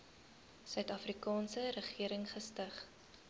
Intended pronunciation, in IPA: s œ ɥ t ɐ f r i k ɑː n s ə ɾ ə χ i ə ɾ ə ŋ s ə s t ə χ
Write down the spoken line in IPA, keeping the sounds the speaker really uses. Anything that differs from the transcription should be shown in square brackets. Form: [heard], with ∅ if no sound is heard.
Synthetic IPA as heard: s œ ɥ t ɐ f r i k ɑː n s ə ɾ ə χ i ə ɾ ə ŋ [χ] ə s t ə χ